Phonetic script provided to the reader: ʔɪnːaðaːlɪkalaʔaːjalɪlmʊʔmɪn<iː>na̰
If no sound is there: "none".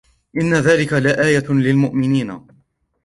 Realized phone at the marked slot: iː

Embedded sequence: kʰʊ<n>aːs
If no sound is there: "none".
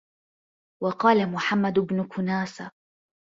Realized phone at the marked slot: n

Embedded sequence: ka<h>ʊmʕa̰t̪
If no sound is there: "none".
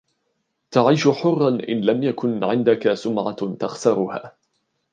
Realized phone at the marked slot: s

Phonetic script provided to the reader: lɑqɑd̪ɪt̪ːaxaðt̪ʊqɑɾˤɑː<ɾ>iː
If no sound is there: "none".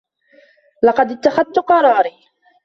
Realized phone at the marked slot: ɾ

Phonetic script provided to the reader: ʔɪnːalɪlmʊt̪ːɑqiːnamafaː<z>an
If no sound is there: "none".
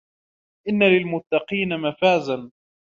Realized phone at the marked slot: z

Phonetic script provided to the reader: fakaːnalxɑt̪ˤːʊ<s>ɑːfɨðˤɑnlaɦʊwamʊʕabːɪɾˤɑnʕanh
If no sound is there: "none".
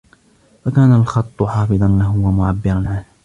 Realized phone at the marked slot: ħ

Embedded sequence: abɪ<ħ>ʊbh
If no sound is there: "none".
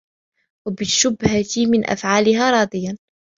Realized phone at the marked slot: ʃ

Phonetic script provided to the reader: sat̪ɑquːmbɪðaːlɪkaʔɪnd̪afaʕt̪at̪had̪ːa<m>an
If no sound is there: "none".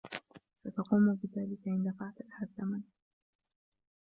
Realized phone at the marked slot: m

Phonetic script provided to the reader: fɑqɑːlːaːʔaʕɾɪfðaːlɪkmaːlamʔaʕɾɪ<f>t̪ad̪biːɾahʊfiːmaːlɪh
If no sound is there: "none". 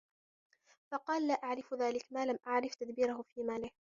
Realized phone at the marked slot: f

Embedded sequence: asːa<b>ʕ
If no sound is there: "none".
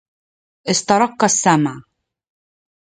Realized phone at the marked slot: m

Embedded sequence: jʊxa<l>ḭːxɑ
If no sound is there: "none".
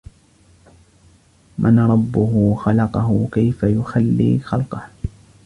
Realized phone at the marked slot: lː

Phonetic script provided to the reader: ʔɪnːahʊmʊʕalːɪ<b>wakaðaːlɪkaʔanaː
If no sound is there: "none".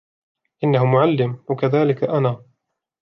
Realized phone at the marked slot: m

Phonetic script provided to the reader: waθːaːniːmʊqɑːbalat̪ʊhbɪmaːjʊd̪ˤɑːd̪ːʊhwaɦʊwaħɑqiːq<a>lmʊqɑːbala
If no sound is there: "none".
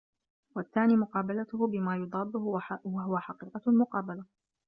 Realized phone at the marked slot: ɑ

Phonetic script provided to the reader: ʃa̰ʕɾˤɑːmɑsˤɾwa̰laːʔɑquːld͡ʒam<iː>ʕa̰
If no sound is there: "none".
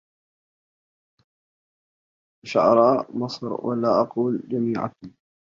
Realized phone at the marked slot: iː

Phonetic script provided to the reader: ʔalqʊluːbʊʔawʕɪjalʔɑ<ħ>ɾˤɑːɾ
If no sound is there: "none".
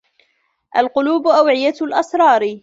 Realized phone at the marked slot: s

